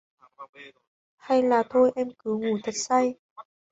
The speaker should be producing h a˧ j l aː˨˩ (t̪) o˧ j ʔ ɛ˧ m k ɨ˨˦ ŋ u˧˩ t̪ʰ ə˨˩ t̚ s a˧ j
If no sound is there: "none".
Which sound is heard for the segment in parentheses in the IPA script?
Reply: t̪ʰ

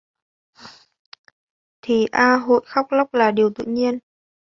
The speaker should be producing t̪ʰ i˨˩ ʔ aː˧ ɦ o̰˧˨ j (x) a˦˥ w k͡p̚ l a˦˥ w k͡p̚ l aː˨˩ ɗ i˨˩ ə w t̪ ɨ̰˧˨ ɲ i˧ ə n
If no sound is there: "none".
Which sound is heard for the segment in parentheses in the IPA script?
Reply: x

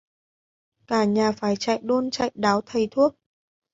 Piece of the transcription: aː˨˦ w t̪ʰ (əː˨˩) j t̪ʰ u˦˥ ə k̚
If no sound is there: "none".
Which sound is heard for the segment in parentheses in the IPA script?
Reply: ə˨˩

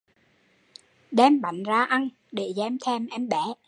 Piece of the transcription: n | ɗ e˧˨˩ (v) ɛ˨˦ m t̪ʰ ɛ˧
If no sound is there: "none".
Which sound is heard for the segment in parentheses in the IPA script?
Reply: z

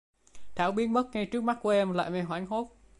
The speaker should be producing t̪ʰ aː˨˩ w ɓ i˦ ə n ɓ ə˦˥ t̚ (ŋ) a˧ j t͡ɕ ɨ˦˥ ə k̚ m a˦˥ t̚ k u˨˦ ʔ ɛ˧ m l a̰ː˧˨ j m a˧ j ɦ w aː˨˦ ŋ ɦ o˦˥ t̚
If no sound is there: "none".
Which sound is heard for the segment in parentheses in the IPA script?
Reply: ŋ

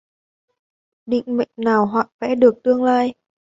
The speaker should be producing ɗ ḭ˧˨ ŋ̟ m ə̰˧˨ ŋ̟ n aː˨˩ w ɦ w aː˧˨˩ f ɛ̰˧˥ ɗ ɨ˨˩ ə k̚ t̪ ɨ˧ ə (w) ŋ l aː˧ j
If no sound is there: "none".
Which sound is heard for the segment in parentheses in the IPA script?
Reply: none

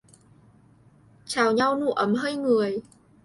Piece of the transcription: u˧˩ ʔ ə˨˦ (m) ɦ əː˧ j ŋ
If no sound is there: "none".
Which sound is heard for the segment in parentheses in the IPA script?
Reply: m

